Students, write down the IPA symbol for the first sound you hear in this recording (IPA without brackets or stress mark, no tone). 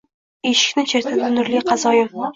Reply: e